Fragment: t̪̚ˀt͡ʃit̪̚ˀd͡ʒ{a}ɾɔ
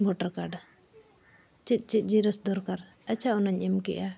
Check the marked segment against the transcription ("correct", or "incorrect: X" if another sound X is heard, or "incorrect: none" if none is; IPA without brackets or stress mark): incorrect: i